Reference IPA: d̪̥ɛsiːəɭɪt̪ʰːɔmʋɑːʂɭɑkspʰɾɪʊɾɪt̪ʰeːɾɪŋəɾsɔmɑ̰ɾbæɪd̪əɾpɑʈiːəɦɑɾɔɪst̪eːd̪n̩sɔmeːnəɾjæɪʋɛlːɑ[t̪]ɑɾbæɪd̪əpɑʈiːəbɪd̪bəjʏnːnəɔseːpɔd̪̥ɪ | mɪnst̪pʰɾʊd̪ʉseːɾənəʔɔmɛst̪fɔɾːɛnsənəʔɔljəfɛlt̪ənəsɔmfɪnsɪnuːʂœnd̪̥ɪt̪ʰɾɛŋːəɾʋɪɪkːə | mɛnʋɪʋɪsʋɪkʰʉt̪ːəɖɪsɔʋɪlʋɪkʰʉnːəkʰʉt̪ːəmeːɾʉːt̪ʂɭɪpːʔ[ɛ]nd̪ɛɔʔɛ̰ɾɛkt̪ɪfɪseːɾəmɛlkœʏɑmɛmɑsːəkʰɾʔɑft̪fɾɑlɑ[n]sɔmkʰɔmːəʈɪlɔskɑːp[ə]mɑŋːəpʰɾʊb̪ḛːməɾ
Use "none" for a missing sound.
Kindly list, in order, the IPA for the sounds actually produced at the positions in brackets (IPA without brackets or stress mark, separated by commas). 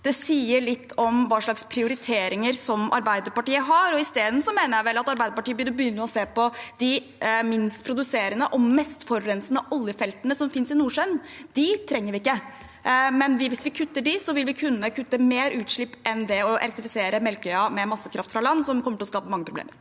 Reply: t̪, ɛ, nː, ə